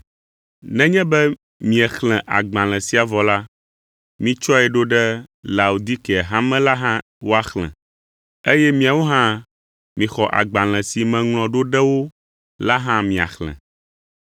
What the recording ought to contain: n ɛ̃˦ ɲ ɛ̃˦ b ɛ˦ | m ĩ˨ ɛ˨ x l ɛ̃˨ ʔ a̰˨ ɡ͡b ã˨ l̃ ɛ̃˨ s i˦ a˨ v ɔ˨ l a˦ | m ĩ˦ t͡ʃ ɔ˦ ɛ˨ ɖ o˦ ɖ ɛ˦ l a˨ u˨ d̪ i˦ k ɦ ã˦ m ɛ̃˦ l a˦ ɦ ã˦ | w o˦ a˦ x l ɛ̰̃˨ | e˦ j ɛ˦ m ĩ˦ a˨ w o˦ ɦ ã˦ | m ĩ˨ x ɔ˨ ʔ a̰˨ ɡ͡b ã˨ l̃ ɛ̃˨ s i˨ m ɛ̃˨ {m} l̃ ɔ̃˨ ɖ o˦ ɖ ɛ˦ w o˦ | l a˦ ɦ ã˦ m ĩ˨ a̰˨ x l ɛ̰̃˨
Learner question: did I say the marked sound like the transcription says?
no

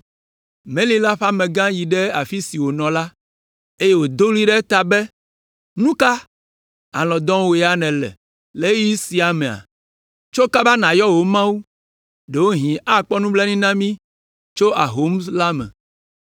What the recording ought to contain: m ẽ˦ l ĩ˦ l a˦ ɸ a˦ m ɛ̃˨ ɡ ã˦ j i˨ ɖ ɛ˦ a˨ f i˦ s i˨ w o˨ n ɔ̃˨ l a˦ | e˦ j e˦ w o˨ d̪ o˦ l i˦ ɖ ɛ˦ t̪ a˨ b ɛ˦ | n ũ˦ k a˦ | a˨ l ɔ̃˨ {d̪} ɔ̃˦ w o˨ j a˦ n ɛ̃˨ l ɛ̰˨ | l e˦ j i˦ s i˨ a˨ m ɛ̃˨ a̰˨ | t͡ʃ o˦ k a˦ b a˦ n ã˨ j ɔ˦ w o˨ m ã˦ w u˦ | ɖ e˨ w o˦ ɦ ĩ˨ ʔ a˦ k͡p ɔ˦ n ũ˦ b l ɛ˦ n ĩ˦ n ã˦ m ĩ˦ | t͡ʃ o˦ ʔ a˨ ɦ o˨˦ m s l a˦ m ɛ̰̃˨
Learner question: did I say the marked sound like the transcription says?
yes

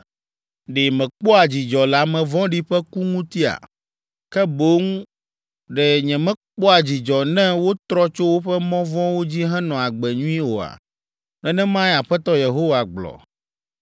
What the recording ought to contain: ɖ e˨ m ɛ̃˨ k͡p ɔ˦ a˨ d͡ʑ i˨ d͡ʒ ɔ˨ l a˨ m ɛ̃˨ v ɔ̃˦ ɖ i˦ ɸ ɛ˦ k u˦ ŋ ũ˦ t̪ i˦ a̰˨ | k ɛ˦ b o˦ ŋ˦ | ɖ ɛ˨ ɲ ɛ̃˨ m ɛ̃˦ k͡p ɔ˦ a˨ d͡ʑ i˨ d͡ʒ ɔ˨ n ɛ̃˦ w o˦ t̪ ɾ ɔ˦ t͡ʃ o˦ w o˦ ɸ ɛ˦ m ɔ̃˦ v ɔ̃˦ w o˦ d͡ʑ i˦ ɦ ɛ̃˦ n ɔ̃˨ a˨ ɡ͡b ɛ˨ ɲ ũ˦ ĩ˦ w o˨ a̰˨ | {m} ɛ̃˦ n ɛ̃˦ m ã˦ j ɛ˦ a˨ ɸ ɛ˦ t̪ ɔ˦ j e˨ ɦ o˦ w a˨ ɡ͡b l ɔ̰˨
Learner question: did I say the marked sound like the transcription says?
no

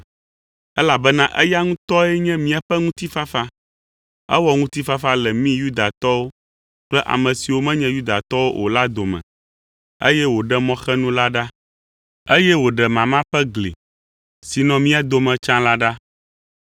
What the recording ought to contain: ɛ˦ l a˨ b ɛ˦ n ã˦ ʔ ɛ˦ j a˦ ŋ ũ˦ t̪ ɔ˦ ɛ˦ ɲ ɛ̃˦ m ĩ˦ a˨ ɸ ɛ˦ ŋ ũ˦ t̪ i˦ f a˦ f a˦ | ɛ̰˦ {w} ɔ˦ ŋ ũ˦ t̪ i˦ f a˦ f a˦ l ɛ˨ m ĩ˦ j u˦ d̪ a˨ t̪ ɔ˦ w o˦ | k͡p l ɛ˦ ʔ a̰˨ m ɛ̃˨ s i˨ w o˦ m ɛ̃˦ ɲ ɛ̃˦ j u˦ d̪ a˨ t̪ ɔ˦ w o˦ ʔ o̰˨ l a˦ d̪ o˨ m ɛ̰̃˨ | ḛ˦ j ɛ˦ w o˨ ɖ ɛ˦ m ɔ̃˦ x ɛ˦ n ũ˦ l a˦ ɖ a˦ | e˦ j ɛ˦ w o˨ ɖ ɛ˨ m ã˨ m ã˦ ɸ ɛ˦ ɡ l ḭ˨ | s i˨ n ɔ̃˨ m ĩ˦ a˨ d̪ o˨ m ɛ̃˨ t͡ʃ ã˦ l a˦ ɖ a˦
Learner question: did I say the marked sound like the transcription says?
yes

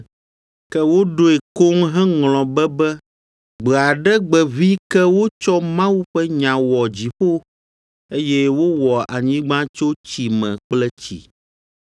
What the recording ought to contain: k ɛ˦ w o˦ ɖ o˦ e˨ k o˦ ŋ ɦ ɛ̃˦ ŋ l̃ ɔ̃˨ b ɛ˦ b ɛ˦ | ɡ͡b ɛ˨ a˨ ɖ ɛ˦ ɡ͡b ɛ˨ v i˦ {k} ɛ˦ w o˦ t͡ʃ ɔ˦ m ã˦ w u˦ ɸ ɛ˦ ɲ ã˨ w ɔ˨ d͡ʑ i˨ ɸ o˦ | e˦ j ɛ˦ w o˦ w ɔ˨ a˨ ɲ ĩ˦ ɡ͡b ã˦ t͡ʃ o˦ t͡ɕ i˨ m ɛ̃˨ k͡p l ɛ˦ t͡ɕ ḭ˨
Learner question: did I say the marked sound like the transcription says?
yes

